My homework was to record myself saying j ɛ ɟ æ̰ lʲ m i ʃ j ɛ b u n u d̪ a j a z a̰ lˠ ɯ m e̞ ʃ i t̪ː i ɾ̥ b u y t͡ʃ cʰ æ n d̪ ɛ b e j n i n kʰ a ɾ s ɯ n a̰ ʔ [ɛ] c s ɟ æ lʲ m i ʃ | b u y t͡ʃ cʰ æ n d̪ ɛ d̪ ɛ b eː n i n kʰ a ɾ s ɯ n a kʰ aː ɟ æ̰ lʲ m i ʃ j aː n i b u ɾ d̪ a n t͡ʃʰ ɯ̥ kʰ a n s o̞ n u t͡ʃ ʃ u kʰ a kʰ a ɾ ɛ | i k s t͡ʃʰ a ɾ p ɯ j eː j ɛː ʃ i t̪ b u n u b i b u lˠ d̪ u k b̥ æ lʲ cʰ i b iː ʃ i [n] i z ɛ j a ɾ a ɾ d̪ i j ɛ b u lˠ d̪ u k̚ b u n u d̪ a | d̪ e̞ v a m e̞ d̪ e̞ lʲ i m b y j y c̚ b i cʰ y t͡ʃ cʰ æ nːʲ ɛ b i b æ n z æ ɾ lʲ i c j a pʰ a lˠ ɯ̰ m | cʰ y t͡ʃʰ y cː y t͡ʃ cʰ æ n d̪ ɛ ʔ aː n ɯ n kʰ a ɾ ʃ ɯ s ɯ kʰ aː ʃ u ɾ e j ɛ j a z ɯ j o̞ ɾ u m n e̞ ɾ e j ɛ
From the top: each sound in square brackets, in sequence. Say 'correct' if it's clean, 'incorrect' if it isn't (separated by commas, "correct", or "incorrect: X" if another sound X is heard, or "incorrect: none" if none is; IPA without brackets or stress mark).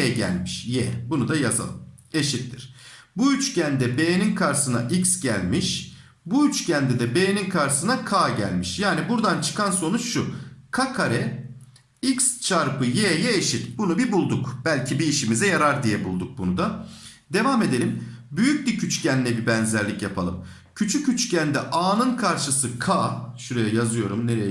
incorrect: i, incorrect: m